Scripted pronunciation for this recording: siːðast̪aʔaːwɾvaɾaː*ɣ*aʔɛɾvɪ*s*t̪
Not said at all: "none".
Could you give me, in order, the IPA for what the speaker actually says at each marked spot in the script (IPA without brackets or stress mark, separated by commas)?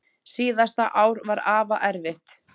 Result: v, h